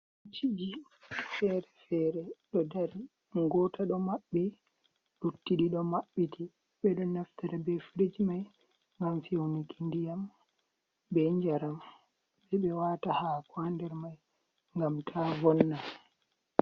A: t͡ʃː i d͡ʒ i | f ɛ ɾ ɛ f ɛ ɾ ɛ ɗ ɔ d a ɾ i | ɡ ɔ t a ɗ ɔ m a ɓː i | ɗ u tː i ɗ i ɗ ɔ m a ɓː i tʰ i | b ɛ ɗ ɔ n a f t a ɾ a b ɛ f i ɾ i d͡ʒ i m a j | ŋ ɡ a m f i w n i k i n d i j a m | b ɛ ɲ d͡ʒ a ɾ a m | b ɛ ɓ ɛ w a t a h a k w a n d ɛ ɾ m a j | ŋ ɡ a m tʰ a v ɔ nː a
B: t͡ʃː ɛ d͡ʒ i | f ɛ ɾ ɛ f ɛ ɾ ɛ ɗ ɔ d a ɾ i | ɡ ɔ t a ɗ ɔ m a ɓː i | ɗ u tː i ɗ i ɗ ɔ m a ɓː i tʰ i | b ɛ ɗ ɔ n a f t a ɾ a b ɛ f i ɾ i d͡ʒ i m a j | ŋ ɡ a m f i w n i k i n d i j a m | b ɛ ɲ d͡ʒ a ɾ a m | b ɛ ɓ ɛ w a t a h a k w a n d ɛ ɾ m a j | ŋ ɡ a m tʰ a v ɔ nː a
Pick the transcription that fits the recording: A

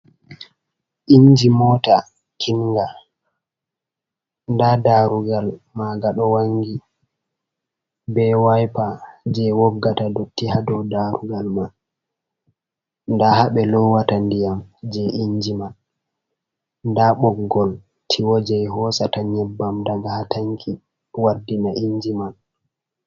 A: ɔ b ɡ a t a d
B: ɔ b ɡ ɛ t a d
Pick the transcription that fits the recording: A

